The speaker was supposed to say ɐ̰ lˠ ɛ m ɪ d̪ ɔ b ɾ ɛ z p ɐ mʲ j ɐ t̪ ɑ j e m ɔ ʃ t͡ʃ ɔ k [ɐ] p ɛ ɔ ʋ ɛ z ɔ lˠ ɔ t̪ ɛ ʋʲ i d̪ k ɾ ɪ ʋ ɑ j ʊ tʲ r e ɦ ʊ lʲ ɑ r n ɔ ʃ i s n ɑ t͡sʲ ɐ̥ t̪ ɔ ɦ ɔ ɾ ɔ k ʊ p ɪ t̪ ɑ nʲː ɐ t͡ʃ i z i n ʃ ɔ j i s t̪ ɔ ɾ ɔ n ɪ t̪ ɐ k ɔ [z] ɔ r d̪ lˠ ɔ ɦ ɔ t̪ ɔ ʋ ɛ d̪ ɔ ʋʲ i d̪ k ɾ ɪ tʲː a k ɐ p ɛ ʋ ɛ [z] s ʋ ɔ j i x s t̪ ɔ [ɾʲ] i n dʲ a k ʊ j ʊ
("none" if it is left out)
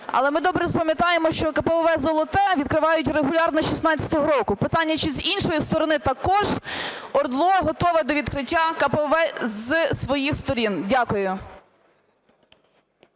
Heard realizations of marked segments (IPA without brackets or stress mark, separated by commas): ɐ, ʒ, z, ɾʲ